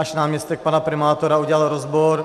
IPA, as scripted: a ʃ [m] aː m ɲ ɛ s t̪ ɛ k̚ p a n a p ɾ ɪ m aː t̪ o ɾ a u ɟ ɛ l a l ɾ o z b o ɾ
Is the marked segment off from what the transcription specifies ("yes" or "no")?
yes